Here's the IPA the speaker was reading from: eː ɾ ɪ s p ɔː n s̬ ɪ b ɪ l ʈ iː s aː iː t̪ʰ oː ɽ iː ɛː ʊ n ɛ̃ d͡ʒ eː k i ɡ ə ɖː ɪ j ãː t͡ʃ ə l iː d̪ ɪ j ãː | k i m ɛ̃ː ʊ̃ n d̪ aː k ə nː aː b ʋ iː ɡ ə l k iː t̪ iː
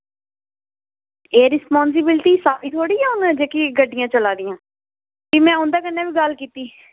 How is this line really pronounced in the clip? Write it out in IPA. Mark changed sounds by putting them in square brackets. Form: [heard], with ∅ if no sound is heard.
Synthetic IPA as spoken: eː ɾ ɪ s p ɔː n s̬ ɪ b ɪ l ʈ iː s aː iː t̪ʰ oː ɽ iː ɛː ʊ n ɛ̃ d͡ʒ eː k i ɡ ə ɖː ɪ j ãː t͡ʃ ə l [aː] d̪ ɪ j ãː | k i m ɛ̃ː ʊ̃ n d̪ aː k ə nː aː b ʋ iː ɡ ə l k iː t̪ iː